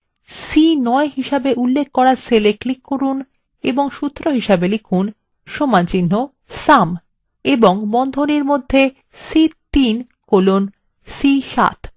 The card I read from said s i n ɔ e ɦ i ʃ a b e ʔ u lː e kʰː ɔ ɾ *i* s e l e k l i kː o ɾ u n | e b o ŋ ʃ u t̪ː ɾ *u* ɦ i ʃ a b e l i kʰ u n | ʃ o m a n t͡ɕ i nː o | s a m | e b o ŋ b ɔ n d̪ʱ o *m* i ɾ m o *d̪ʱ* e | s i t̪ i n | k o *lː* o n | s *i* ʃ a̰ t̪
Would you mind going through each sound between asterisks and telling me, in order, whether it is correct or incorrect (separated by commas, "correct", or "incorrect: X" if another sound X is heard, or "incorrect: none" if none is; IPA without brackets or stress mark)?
incorrect: a, incorrect: o, incorrect: n, incorrect: d̪ʱː, incorrect: l, correct